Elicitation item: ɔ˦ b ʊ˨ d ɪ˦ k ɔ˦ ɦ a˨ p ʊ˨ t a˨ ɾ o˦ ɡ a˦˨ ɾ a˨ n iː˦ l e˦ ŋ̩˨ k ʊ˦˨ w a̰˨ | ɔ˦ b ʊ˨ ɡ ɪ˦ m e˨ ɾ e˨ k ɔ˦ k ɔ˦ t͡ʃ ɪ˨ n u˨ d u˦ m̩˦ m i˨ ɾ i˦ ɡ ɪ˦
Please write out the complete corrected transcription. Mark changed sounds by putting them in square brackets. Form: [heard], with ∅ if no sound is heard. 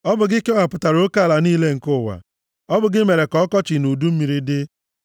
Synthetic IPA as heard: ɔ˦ b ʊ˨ [ɡ] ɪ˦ k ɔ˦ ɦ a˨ p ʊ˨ t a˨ ɾ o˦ [k] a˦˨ [l] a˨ n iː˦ l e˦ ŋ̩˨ k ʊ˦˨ w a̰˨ | ɔ˦ b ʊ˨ ɡ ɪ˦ m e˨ ɾ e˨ k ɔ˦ k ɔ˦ t͡ʃ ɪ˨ n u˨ d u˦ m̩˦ m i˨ ɾ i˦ [d] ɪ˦

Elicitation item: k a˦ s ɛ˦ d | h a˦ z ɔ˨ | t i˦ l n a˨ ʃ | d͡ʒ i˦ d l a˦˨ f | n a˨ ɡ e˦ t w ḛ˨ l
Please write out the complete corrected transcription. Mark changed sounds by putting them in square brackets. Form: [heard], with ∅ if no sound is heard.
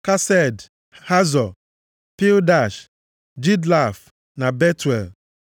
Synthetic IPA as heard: k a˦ s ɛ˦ d | h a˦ z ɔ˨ | [p] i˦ l [d] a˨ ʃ | d͡ʒ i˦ d l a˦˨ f | n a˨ [b] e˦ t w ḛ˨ l

